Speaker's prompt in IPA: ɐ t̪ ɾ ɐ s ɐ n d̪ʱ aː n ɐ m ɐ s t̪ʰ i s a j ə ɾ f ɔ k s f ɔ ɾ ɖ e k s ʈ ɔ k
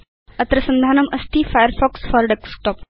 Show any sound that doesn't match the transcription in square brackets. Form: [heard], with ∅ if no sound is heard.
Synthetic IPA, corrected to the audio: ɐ t̪ ɾ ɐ s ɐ n d̪ʱ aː n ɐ m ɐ s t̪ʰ i [f] a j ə ɾ f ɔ k s f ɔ ɾ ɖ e k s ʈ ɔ [p]

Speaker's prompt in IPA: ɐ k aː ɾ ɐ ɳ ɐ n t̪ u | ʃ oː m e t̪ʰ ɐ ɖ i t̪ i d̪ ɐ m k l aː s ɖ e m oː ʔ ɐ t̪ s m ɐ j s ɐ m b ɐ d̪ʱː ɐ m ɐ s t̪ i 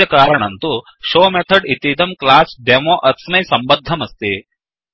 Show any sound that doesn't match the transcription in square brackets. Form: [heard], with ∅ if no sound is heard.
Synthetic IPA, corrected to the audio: ɐ k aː ɾ ɐ ɳ ɐ n t̪ u | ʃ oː m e t̪ʰ ɐ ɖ i t̪ i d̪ ɐ m k l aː s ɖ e m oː ʔ ɐ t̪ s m ɐ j s ɐ m b ɐ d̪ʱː ɐ m ɐ s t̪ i

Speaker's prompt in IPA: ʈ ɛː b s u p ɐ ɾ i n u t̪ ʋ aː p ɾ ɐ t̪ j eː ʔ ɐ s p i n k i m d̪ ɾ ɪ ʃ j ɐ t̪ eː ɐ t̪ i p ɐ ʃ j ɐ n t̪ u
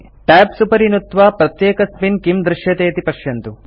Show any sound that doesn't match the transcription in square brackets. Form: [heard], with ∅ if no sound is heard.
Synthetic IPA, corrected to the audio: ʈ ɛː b s u p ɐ ɾ i n u t̪ ʋ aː p ɾ ɐ t̪ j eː [k] ɐ s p i n k i m d̪ ɾ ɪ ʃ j ɐ t̪ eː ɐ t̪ i p ɐ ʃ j ɐ n t̪ u

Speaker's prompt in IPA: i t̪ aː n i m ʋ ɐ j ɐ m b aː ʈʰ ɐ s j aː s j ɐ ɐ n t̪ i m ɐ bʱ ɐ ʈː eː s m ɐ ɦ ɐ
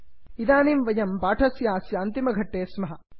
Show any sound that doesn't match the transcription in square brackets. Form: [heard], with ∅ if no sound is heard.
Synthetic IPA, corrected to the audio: i [d̪] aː n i m ʋ ɐ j ɐ m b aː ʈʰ ɐ s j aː s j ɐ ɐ n t̪ i m ɐ [ɡʱ] ɐ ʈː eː s m ɐ ɦ ɐ

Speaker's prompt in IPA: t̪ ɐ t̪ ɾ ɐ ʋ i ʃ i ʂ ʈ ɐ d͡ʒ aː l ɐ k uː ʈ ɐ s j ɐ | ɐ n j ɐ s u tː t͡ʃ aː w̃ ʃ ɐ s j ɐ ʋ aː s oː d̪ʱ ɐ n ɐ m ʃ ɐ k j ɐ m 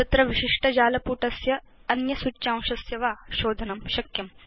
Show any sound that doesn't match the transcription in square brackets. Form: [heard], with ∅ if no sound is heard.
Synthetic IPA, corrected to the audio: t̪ ɐ t̪ ɾ ɐ ʋ i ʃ i ʂ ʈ ɐ d͡ʒ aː l ɐ [p] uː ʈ ɐ s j ɐ | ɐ n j ɐ s u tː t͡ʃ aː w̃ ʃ ɐ s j ɐ ʋ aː [ʃ] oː d̪ʱ ɐ n ɐ m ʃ ɐ k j ɐ m

